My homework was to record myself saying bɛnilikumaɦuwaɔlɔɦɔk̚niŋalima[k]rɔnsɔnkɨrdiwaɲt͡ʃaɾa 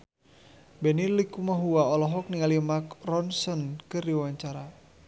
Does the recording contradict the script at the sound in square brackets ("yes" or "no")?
no